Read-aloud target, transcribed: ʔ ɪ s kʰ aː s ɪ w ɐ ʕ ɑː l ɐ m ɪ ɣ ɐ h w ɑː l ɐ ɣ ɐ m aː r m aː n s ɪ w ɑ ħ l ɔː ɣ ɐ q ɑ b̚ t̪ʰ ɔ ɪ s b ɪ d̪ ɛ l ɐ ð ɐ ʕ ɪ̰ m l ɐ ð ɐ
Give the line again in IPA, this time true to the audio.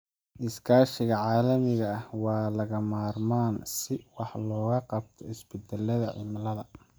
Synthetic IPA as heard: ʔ ɪ s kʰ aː ʃ ɪ ɣ ɐ ʕ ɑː l ɐ m ɪ ɣ ɐ h w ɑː l ɐ ɣ ɐ m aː r m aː n s ɪ w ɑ ħ l ɔː ɣ ɐ q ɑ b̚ t̪ʰ ɔ ɪ s b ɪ d̪ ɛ l ɐ ð ɐ ʕ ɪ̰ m l ɐ ð ɐ

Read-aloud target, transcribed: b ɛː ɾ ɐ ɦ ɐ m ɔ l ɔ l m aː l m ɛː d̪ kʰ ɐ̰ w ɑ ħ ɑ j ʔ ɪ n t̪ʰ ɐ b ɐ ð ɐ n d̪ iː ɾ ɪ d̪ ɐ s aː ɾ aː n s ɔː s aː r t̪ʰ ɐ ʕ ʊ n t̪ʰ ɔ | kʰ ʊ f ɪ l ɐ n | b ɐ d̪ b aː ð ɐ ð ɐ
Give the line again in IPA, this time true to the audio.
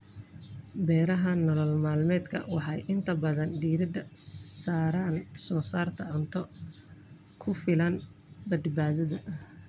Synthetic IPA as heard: b ɛː ɾ ɐ ɦ ɐ n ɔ l ɔ l m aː l m ɛː d̪ kʰ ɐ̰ w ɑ ħ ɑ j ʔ ɪ n t̪ʰ ɐ b ɐ ð ɐ n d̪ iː ɾ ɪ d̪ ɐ s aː ɾ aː n s ɔː s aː r t̪ʰ ɐ ʕ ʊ n t̪ʰ ɔ | kʰ ʊ f ɪ l ɐ n | b ɐ d̪ b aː ð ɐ ð ɐ

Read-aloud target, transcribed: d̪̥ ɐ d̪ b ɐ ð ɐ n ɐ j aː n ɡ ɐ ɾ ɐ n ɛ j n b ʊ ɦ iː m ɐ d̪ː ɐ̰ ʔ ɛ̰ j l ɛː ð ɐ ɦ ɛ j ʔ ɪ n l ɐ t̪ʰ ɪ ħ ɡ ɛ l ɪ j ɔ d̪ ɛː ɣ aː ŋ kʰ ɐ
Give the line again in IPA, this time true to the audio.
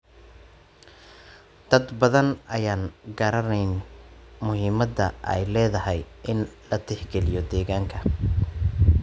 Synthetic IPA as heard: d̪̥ ɐ d̪ b ɐ ð ɐ n ɐ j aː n ɡ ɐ ɾ ɐ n ɛ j n m ʊ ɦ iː m ɐ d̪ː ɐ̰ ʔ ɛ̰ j l ɛː ð ɐ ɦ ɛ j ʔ ɪ n l ɐ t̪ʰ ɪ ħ ɡ ɛ l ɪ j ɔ d̪ ɛː ɣ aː ŋ kʰ ɐ

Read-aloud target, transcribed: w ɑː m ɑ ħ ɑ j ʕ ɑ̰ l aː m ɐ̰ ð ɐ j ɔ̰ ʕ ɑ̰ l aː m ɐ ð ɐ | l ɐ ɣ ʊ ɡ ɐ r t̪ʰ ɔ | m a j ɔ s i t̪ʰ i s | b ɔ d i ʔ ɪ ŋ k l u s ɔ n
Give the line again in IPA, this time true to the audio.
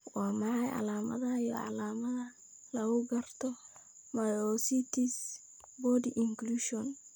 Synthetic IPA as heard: w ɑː m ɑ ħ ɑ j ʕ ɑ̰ l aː m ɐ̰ ð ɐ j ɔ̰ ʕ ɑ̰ l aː m ɐ ð ɐ | l ɐ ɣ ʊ ɡ ɐ r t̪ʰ ɔ | m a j ɔ s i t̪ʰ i s | b ɔ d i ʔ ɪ ŋ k l u ʃ ɔ n

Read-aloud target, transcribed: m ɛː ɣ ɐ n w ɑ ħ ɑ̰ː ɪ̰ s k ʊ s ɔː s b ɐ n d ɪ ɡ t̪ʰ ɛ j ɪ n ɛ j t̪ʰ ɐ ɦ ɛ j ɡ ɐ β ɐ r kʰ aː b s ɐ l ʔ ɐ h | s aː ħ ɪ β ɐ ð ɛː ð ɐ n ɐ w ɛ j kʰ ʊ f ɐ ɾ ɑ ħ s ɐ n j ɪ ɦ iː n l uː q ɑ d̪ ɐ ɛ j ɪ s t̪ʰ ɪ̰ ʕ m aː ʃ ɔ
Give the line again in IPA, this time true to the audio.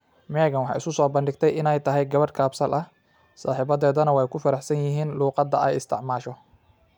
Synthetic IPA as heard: m ɛː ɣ ɐ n w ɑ ħ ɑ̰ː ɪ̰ s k ʊ s ɔː b ɐ n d ɪ ɡ t̪ʰ ɛ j ɪ n ɛ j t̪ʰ ɐ ɦ ɛ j ɡ ɐ β ɐ r kʰ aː b s ɐ l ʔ ɐ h | s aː ħ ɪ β ɐ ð ɛː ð ɐ n ɐ w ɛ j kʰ ʊ f ɐ ɾ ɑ ħ s ɐ n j ɪ ɦ iː n l uː q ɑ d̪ ɐ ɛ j ɪ s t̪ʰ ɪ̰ ʕ m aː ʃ ɔ

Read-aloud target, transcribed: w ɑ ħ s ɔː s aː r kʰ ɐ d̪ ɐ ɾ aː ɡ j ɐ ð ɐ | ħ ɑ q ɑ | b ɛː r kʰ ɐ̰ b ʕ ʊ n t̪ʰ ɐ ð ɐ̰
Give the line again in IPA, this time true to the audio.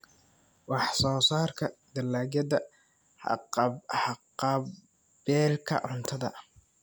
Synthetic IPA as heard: w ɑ ħ s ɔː s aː r kʰ ɐ d̪ ɐ l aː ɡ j ɐ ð ɐ | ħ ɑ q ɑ | b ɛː l kʰ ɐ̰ ʕ ʊ n t̪ʰ ɐ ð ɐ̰

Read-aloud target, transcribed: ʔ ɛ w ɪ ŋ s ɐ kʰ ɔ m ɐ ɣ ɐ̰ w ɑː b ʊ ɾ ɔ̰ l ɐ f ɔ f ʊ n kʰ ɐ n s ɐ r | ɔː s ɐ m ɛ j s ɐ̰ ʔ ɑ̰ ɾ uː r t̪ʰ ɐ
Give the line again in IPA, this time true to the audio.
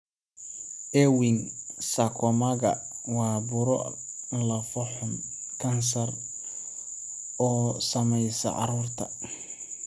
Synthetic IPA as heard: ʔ ɛ w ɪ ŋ s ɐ kʰ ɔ m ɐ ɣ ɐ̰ w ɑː b ʊ ɾ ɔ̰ l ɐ f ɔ ħ ʊ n kʰ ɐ n s ɐ r | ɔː s ɐ m ɛ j s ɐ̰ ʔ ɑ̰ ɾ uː r t̪ʰ ɐ

